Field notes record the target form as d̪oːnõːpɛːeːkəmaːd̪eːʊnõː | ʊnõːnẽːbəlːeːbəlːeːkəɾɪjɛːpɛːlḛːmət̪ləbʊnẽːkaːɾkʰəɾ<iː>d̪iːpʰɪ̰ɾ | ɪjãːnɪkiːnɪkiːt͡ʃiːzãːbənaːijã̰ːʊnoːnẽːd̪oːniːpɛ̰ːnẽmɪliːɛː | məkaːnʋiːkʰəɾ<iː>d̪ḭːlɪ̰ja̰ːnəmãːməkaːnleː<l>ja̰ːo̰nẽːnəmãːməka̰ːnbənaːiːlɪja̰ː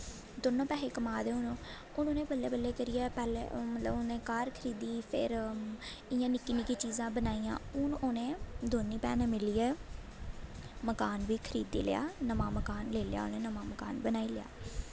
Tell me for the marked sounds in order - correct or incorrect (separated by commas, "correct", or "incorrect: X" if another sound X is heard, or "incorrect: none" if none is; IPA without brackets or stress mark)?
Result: correct, correct, correct